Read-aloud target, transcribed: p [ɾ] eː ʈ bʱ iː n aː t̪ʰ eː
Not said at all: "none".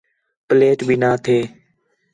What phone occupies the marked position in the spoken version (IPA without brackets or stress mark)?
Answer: l